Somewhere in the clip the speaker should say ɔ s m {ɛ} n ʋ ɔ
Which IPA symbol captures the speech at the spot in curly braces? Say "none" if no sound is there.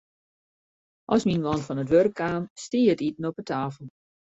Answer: i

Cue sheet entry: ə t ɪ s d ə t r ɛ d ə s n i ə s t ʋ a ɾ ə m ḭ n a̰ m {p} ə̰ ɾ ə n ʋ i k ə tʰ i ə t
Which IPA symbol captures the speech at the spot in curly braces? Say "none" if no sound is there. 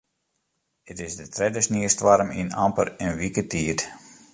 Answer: p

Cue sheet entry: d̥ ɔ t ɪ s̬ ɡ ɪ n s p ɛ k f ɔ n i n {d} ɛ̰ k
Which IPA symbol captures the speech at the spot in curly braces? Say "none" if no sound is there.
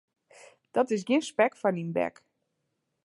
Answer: b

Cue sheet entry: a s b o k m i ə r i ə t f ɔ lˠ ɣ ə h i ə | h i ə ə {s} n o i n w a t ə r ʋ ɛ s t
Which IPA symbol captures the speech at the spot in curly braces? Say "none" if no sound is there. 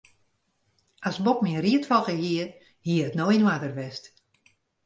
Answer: t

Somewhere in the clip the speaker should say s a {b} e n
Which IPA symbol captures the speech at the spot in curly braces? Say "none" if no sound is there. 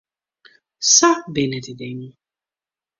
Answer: b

